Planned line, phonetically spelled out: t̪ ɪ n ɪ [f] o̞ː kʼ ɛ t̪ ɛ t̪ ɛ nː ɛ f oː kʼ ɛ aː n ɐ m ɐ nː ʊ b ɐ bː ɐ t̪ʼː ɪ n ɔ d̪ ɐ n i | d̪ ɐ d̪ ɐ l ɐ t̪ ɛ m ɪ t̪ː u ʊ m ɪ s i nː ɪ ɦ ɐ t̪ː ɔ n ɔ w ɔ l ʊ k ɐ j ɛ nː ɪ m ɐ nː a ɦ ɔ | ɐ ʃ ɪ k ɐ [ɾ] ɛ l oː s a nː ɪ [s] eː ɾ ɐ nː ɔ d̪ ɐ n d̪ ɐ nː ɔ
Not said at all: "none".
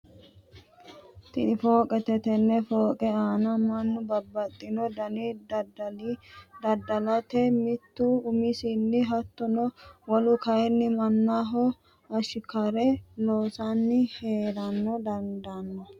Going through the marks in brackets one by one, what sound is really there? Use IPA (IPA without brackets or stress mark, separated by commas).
f, ɾ, h